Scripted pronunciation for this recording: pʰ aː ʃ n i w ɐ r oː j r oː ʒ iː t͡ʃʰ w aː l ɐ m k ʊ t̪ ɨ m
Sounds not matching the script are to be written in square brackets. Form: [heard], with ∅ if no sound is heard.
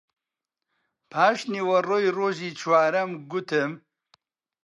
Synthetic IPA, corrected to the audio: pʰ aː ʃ n i w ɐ r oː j r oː ʒ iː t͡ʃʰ w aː [ɾ] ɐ m [ɡ] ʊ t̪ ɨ m